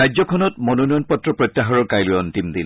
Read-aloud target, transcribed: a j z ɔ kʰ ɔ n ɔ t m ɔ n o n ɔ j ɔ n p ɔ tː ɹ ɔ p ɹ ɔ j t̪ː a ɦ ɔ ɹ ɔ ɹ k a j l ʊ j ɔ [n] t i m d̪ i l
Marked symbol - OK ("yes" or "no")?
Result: yes